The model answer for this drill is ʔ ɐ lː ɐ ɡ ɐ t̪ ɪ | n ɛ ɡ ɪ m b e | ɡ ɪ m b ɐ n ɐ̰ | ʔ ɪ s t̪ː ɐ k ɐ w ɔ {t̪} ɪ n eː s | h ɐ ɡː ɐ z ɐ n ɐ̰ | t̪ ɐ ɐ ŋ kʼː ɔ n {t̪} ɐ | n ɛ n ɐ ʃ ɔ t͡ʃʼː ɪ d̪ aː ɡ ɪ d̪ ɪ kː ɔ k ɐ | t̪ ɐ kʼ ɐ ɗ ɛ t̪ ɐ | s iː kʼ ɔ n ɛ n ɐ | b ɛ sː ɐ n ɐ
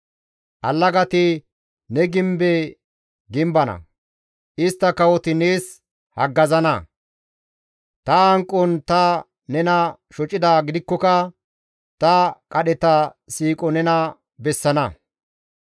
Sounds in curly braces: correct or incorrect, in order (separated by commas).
correct, correct